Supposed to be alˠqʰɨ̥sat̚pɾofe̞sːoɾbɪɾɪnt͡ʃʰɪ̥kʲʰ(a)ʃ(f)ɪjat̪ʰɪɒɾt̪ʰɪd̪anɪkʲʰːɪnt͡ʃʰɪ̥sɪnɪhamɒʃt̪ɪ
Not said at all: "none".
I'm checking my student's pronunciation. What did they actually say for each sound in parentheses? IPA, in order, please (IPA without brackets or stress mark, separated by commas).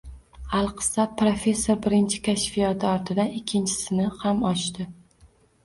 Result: a, f